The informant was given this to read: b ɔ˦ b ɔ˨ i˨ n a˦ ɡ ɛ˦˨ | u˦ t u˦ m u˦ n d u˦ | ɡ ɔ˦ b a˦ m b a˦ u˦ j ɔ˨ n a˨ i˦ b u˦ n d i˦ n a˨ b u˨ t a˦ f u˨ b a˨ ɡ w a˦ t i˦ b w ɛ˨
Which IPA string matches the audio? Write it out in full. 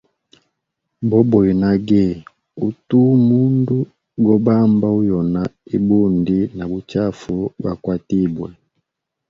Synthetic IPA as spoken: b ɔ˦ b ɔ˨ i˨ n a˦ ɡ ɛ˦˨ | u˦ t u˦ m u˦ n d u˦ | ɡ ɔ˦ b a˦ m b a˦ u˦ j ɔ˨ n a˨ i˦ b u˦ n d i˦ n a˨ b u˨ t͡ʃ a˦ f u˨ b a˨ k w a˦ t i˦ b w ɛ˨